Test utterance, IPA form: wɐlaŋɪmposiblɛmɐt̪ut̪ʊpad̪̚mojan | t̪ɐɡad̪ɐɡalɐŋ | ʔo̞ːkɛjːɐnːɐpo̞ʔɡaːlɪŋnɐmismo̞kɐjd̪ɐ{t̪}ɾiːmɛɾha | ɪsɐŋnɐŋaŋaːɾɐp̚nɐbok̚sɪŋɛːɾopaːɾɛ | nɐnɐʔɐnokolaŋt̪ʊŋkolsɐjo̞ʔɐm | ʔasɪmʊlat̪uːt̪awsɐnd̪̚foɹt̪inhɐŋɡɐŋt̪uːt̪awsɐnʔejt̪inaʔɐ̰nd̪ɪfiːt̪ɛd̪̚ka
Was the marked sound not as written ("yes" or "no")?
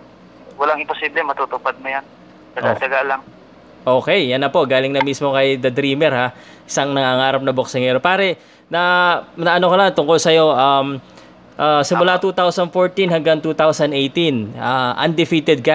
yes